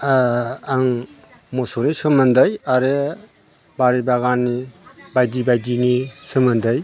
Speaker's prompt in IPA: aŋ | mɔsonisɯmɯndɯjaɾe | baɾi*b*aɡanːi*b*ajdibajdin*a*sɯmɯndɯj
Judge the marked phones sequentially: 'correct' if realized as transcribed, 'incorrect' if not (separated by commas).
correct, correct, incorrect